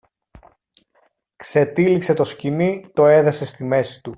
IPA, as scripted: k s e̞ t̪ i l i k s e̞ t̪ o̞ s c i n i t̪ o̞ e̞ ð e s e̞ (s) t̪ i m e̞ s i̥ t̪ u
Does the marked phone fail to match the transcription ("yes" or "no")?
no